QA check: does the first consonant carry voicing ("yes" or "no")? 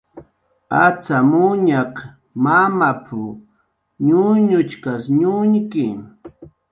no